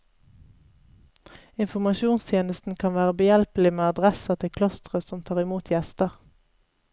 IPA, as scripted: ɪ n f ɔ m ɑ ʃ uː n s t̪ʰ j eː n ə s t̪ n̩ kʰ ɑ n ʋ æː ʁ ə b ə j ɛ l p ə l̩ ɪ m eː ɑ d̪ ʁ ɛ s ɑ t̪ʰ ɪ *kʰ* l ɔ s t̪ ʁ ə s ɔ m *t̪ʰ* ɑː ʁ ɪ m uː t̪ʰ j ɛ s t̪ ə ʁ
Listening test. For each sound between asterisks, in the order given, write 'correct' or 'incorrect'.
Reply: correct, correct

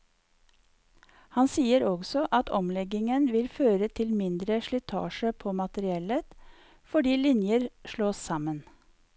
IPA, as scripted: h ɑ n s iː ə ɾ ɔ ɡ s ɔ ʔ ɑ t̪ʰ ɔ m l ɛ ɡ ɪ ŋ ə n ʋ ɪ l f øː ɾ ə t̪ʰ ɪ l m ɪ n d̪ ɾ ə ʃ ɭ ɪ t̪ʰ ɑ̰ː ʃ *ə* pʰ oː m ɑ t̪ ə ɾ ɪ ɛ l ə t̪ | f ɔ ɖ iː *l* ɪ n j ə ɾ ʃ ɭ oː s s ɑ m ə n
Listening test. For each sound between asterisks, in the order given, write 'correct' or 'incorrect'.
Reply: correct, correct

